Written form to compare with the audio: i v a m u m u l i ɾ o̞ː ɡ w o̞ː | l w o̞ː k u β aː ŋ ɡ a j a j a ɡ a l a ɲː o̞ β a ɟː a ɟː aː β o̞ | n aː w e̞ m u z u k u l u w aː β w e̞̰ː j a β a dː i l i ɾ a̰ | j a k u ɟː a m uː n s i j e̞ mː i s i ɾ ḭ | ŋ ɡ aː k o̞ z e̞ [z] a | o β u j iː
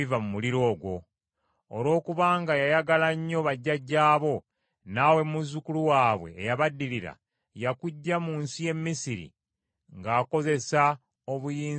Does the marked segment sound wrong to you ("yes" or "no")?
yes